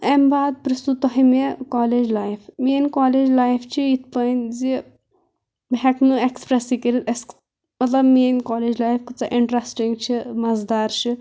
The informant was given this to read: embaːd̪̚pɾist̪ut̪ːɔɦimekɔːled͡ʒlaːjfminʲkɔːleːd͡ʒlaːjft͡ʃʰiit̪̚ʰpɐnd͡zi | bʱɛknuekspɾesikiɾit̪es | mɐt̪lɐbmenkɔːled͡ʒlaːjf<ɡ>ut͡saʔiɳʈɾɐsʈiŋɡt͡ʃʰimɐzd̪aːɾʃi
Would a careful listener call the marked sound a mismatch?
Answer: yes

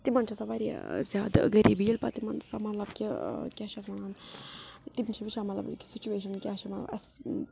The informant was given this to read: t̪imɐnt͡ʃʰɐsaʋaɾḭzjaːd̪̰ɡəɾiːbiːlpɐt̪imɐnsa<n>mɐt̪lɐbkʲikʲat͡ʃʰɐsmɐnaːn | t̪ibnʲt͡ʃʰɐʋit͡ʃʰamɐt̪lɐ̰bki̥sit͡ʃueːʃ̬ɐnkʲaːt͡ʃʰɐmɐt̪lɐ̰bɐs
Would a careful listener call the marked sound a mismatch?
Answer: yes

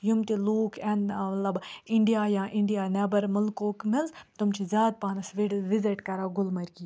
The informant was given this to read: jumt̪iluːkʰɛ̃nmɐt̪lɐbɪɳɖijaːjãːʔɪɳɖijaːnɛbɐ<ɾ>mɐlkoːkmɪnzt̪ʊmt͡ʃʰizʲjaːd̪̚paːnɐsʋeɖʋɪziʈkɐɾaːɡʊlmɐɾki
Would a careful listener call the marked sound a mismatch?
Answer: no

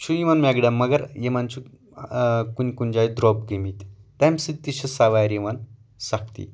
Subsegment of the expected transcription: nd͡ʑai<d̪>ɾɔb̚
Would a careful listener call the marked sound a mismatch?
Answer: no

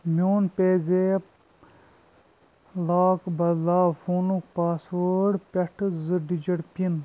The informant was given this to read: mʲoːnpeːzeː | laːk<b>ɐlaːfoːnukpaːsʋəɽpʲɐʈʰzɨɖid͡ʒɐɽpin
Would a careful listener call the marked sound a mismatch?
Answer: no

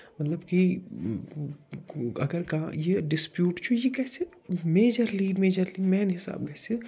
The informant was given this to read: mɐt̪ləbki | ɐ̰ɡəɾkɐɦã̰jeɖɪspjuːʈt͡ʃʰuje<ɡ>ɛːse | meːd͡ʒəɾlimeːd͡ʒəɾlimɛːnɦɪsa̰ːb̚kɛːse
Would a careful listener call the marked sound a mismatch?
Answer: yes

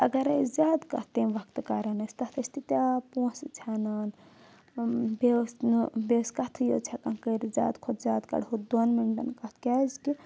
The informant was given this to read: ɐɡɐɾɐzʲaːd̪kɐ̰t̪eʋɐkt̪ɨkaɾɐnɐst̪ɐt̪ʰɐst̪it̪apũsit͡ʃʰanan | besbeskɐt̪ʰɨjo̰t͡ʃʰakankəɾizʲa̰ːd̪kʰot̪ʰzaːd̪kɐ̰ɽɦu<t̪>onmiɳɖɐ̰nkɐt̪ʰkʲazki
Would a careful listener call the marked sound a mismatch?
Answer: yes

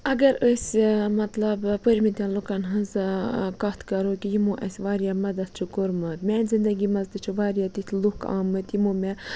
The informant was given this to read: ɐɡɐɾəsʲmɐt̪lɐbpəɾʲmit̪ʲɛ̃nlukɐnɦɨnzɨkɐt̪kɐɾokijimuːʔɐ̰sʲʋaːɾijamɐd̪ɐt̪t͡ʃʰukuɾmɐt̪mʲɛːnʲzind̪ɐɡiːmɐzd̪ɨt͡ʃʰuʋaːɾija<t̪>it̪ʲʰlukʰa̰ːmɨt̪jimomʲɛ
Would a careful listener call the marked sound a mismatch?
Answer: no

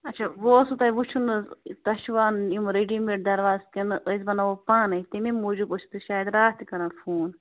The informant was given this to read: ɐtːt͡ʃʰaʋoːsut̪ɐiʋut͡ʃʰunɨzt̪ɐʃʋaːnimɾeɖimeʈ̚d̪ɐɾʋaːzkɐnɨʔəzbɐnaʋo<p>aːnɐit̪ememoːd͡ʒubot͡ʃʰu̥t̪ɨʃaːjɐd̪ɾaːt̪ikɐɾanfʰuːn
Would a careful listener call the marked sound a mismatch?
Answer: no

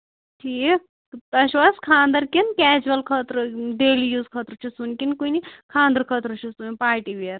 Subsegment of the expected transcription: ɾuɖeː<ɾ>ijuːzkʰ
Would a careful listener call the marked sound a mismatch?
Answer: yes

